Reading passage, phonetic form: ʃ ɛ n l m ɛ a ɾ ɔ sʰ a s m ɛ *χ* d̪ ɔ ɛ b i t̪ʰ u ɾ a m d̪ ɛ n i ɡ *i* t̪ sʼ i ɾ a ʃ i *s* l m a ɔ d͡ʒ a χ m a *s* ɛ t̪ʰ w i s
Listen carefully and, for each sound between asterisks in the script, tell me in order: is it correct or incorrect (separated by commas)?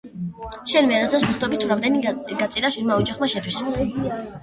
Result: correct, incorrect, incorrect, incorrect